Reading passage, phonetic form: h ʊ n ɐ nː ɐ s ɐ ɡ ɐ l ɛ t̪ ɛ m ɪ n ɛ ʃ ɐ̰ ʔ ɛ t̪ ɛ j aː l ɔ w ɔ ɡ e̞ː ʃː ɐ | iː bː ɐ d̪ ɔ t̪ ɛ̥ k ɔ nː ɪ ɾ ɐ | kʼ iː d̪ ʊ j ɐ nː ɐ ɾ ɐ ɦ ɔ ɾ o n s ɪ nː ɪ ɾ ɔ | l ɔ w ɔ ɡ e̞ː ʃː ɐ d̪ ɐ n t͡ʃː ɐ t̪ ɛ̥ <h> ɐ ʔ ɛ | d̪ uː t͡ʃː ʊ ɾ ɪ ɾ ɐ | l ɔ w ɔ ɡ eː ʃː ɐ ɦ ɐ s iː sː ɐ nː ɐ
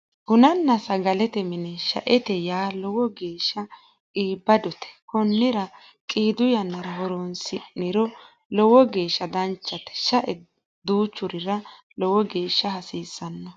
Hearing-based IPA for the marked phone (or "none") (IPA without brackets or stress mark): ʃ